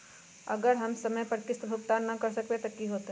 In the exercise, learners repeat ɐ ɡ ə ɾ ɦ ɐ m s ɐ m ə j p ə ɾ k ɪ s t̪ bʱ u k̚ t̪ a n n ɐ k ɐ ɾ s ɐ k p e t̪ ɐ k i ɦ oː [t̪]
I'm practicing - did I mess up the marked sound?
no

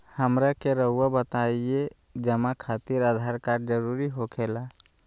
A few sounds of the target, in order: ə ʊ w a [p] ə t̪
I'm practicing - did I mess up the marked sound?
yes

